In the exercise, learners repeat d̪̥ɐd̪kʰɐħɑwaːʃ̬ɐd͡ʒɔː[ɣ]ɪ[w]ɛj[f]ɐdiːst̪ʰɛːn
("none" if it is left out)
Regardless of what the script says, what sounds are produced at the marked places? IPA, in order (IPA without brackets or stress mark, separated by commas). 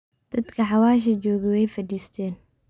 ɣ, w, f